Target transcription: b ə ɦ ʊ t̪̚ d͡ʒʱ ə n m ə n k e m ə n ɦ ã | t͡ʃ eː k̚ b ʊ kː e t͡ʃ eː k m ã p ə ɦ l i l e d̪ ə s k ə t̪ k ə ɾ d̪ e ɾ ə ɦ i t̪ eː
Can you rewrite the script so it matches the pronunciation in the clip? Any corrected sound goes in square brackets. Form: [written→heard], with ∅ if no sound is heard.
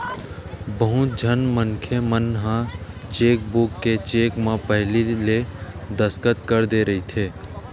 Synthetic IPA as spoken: b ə ɦ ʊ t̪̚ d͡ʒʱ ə n m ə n [k→kʰ] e m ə n ɦ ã | t͡ʃ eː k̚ b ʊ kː e t͡ʃ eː k m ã p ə ɦ l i l e d̪ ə s k ə t̪ k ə ɾ d̪ e ɾ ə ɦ i [t̪→t̪ʰ] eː